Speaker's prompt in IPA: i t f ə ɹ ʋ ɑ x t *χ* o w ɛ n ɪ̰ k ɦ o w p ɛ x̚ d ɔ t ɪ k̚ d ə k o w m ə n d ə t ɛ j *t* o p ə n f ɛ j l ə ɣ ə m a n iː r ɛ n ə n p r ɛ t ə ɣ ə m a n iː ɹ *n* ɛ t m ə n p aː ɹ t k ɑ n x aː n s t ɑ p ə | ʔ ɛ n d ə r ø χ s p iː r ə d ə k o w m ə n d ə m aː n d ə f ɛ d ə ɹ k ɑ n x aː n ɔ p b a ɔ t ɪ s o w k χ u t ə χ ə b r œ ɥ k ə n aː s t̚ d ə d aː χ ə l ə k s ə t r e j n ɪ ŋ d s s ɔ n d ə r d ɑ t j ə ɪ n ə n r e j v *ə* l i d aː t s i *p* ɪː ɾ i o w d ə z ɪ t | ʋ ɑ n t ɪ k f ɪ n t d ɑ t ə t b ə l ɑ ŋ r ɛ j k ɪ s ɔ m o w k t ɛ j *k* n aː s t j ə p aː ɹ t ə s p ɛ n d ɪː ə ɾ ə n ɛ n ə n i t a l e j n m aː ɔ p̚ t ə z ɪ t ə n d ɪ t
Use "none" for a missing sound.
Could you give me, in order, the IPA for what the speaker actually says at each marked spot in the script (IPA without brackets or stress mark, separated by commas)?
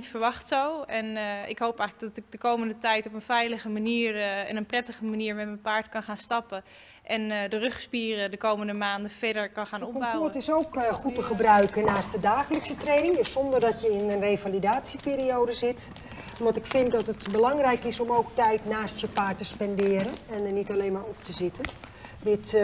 s, t, m, a, p, t